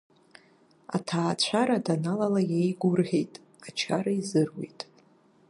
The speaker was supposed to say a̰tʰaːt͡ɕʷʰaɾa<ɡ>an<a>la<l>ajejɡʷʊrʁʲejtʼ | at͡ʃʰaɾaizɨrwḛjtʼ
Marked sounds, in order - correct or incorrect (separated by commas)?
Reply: incorrect, correct, correct